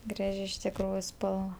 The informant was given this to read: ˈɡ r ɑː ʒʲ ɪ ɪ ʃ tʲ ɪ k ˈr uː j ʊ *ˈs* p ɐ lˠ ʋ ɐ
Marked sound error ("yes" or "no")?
no